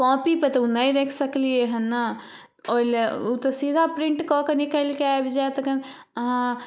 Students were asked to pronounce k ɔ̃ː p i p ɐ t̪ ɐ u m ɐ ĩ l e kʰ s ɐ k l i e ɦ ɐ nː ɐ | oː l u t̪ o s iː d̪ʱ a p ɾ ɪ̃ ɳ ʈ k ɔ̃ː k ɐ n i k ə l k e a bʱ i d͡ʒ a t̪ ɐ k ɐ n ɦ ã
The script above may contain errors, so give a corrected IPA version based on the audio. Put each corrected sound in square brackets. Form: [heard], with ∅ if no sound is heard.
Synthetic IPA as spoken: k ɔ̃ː p i p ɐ t̪ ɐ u [n] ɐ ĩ [ɾ] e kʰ s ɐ k l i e ɦ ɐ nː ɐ | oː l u t̪ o s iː d̪ʱ a p ɾ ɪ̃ ɳ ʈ k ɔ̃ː k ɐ n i k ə l k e a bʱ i d͡ʒ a t̪ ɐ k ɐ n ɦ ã